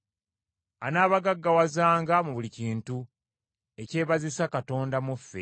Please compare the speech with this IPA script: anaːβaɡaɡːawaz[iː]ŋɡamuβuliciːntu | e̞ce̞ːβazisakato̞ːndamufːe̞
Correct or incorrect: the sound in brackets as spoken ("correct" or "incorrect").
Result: incorrect